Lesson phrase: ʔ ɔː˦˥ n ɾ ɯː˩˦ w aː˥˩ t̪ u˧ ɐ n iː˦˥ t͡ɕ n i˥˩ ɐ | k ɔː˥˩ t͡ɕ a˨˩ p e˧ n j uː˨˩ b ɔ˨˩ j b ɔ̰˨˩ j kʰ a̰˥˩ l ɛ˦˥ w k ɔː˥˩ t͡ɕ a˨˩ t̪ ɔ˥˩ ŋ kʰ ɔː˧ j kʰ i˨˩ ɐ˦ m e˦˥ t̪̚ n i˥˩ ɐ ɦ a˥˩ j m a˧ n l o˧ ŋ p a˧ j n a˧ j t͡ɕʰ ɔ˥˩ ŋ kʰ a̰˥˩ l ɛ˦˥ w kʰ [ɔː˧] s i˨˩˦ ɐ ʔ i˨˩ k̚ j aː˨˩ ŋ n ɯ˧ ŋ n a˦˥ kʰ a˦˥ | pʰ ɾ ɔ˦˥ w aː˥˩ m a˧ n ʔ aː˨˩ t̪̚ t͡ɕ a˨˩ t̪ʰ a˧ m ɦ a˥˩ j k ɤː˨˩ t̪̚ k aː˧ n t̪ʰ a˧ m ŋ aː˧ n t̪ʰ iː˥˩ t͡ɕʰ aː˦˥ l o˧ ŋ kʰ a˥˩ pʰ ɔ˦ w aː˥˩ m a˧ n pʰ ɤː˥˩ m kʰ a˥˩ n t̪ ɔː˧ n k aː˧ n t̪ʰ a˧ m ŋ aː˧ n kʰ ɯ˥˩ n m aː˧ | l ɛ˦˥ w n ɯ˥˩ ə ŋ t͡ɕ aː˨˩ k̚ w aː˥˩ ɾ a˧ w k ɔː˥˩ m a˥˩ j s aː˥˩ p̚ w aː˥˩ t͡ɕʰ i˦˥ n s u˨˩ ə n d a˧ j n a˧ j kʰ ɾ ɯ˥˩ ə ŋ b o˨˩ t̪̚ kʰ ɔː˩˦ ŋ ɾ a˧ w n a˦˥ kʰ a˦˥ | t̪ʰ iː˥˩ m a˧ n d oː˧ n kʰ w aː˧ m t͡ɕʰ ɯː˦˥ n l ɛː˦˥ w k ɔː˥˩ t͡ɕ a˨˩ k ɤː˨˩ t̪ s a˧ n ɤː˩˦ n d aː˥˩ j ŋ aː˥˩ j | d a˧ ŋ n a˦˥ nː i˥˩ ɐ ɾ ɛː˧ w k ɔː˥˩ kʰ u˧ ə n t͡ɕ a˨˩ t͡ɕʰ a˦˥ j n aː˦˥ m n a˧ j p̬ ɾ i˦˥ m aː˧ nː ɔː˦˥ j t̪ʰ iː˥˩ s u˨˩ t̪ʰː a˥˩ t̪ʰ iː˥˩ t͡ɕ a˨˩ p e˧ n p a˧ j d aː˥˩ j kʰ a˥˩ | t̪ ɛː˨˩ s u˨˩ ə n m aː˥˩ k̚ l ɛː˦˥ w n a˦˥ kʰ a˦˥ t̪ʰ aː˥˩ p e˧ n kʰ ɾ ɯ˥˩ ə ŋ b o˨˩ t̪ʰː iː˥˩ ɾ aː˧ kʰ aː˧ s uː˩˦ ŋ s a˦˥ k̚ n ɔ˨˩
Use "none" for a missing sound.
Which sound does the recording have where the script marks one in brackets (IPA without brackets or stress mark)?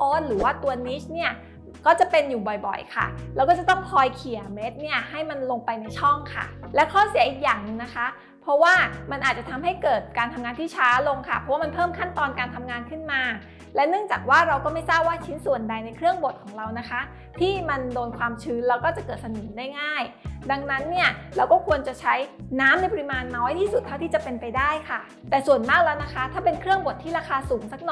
ɔː˥˩